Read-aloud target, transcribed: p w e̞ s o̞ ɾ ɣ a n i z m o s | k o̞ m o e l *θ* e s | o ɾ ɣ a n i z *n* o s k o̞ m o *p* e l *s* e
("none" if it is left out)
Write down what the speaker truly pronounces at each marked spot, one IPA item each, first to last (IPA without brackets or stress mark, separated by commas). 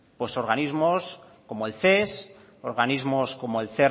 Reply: θ, m, none, θ